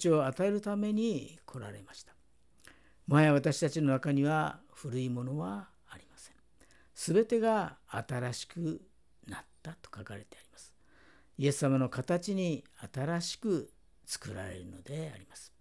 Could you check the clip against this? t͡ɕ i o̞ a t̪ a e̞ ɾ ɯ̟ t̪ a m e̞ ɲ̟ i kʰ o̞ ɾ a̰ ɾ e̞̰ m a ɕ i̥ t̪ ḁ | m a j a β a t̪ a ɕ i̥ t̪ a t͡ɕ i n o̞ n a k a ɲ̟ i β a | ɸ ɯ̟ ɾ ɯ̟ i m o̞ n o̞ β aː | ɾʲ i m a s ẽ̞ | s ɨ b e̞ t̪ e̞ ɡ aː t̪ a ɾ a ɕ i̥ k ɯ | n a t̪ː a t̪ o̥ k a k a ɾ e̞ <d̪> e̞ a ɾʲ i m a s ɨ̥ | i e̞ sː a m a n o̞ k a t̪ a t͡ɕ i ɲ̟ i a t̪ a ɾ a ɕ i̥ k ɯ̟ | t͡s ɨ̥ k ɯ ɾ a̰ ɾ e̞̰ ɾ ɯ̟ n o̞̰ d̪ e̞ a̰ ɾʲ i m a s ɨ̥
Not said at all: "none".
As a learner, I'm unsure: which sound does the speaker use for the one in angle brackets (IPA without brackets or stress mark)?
t̪